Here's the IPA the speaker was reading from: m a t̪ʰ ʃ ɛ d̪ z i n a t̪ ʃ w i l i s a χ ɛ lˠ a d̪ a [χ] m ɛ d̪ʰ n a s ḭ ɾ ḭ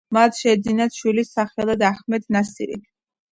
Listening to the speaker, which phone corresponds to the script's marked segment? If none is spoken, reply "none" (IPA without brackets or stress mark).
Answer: χ